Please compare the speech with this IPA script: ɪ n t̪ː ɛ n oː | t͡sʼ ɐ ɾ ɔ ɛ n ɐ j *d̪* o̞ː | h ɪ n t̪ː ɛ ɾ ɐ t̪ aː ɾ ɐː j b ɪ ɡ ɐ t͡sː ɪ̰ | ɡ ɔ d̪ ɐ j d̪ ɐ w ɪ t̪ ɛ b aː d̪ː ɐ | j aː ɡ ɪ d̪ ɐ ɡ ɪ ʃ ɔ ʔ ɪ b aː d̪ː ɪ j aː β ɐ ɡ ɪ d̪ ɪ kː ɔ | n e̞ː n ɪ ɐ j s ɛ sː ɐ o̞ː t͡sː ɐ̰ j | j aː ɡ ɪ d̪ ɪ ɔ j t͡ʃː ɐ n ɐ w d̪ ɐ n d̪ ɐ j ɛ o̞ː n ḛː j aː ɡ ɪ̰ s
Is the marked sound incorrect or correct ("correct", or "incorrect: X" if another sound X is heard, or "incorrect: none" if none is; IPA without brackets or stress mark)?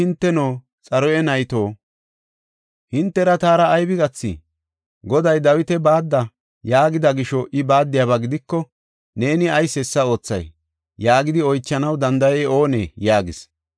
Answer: incorrect: t̪